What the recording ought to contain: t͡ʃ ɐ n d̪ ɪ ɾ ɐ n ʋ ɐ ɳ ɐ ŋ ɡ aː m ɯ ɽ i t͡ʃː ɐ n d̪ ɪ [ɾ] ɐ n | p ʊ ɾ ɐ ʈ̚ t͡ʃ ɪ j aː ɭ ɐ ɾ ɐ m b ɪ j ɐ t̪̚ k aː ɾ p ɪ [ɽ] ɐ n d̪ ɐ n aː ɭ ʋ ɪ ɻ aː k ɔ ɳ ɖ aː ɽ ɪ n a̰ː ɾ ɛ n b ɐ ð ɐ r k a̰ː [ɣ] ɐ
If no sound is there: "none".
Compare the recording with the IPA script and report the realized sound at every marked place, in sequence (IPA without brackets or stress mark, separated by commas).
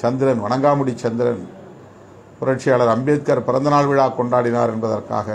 ɾ, ɾ, ɣ